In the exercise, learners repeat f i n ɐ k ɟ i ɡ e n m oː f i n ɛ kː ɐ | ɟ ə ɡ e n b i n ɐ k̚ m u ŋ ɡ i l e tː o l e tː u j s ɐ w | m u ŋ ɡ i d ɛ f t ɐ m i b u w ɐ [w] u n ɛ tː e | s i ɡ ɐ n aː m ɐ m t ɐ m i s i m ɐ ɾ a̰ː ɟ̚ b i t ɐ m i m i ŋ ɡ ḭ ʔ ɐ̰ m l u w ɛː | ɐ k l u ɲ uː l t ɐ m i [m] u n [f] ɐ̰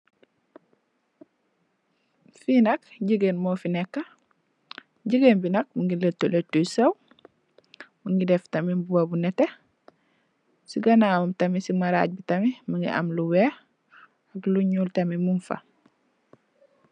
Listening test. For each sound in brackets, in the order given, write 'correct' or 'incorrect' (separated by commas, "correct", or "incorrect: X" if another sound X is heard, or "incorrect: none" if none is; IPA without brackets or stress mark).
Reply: incorrect: b, correct, correct